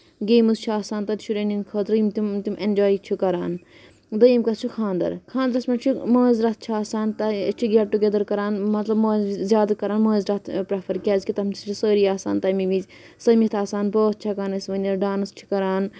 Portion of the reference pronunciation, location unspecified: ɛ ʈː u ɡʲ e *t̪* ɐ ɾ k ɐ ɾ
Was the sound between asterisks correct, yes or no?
no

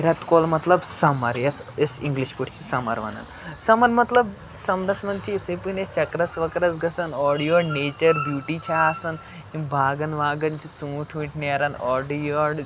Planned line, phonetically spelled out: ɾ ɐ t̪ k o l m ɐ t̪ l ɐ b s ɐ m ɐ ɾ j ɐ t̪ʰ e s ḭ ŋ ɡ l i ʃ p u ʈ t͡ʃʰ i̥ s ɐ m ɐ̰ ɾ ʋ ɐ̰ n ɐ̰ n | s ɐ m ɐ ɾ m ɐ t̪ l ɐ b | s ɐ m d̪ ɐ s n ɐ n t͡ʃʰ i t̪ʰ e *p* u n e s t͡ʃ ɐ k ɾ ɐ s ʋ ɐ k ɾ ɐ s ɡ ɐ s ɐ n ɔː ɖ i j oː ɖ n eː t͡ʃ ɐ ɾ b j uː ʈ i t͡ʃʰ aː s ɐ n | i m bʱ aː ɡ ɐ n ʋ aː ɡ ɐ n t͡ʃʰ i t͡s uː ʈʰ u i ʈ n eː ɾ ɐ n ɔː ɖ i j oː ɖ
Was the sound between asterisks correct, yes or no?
yes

